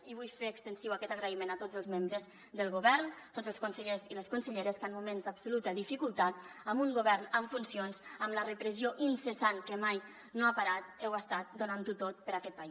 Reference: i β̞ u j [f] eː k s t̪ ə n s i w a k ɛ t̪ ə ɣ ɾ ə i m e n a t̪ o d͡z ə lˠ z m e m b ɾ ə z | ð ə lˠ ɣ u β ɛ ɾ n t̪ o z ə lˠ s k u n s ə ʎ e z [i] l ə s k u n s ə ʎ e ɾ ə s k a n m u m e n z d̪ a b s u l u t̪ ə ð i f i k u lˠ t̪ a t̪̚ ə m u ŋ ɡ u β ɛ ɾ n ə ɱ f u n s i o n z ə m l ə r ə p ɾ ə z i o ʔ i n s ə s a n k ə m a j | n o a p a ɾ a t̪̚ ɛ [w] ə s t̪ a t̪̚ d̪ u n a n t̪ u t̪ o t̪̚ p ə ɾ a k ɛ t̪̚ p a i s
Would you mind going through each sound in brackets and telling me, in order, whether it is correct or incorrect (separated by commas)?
correct, correct, correct